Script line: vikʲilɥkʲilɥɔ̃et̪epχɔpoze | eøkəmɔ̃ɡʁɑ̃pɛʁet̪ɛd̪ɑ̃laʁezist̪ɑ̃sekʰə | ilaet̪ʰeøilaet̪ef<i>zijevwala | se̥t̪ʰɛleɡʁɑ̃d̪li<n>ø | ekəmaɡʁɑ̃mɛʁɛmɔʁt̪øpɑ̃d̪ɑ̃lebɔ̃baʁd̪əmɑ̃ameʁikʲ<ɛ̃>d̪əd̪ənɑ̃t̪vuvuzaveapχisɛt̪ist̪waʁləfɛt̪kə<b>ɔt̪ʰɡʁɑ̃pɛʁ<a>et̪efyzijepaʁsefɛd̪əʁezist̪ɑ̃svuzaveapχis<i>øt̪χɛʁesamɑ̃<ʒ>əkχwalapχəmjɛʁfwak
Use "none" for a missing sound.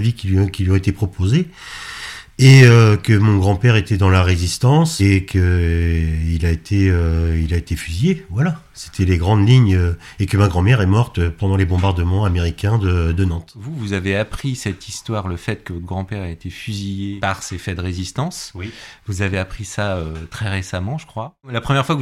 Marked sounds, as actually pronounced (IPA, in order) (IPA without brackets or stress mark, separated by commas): y, ɲ, ɛ̃, v, a, a, ʒ